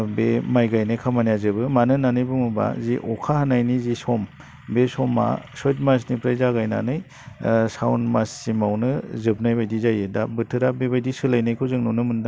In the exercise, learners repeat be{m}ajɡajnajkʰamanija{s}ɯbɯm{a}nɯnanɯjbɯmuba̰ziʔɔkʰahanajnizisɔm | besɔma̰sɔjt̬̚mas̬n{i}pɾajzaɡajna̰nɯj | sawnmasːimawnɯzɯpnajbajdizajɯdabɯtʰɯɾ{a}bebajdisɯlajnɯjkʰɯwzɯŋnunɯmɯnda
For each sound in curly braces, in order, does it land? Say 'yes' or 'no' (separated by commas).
yes, no, yes, yes, yes